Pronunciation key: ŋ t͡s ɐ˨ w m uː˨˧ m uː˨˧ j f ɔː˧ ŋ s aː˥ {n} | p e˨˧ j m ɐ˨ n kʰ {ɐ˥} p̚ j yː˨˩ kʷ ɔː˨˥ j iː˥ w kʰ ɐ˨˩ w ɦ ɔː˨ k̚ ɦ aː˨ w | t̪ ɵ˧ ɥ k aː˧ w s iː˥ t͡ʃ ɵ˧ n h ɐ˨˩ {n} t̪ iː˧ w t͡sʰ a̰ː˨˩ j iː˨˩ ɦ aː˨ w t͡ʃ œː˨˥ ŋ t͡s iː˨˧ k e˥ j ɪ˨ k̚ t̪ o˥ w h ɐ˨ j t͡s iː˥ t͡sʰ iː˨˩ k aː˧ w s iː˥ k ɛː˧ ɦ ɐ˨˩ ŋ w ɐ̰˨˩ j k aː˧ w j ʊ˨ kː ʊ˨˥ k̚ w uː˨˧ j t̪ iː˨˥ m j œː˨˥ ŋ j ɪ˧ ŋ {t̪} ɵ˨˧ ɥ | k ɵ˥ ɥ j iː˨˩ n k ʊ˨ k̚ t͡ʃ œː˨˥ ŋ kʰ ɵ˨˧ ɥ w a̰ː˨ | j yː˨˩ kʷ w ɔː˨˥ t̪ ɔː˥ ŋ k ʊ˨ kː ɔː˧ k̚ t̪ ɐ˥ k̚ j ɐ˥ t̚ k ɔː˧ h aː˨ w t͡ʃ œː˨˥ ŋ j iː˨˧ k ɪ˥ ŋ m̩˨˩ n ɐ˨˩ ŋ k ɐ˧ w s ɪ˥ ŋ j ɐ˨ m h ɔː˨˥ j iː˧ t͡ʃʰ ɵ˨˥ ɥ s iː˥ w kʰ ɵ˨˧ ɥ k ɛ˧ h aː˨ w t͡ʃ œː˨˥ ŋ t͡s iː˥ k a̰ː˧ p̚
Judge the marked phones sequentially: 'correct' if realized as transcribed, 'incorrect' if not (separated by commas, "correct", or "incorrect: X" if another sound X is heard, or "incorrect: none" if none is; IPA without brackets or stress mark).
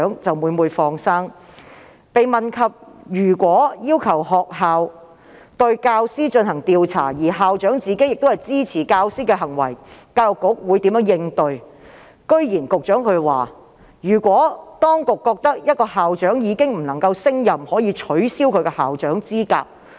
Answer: incorrect: ŋ, incorrect: ɐ˨, incorrect: ŋ, correct